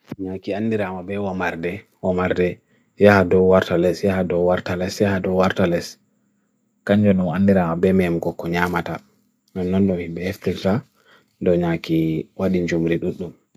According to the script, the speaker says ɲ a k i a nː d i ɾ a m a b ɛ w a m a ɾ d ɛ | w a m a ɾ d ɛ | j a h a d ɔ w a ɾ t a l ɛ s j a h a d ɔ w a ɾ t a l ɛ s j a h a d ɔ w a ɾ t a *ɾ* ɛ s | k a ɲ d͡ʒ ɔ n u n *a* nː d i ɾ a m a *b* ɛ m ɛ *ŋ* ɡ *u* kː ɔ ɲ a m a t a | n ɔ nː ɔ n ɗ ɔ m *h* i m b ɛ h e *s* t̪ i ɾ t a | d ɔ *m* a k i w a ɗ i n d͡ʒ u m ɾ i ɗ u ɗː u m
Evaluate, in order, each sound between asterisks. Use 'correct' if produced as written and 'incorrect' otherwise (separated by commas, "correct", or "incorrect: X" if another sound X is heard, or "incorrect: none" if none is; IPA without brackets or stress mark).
incorrect: l, correct, correct, incorrect: m, incorrect: ɔ, correct, incorrect: f, incorrect: ɲ